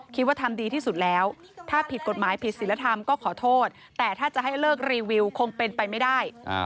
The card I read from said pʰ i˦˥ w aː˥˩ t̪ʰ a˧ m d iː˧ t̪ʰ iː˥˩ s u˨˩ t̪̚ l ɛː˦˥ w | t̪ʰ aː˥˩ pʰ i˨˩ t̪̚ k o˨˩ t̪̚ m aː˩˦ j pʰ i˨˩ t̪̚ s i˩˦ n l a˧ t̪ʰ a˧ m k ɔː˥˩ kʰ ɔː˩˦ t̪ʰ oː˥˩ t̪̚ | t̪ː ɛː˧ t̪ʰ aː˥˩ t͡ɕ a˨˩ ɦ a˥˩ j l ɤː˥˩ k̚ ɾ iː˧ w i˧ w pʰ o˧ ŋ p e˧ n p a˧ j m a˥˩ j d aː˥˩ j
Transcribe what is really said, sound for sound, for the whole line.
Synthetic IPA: kʰ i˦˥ w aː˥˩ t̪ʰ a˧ m d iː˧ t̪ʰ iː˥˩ s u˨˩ t̪̚ l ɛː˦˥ w | t̪ʰ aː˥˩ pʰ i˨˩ t̪̚ k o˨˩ t̪̚ m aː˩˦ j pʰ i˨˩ t̪̚ s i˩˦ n l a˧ t̪ʰ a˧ m k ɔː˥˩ kʰ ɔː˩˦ t̪ʰ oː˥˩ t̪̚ | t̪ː ɛː˨˩ t̪ʰ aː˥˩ t͡ɕ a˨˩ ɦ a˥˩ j l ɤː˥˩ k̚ ɾ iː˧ w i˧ w kʰ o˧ ŋ p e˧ n p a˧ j m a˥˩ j d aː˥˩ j